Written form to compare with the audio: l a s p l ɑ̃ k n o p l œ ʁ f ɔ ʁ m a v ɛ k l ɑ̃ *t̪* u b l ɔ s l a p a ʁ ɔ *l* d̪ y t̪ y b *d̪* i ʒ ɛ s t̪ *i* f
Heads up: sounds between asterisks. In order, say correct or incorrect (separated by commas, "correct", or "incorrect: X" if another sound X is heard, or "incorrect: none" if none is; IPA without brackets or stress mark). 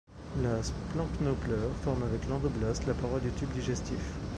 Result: incorrect: d̪, correct, correct, correct